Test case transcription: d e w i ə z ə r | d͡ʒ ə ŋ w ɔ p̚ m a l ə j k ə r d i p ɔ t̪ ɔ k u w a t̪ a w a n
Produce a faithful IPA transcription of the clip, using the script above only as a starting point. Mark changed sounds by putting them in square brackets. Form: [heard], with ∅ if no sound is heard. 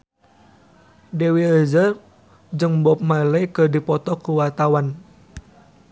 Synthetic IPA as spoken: d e w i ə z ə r | d͡ʒ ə ŋ [b] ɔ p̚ m a l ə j k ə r d i p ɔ t̪ ɔ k u w a t̪ a w a n